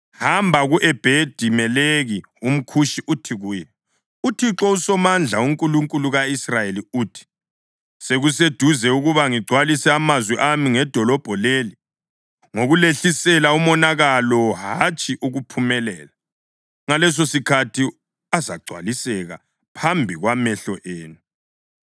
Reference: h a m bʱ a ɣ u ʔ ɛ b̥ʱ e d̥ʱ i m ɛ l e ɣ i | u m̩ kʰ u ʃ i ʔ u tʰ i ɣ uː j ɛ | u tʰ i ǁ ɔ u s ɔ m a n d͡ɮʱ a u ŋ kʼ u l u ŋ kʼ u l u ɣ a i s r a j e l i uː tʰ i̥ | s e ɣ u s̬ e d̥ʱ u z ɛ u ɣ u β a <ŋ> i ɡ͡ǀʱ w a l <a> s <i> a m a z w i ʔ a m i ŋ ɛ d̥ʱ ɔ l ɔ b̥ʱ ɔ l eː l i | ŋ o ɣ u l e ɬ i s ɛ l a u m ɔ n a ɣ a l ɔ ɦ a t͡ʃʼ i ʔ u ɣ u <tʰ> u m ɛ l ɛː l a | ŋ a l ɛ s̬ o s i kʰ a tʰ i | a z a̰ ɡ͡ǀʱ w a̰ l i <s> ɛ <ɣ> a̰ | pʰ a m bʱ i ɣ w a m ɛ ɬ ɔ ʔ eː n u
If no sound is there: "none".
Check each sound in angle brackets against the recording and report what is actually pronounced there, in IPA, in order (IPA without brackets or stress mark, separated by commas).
ŋ, i, ɛ, pʰ, s, ɣ